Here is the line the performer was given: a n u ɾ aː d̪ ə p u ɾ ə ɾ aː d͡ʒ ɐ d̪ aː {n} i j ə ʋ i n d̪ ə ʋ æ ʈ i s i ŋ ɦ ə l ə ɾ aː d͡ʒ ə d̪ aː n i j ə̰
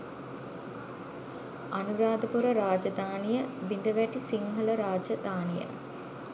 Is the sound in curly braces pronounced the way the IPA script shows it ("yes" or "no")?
yes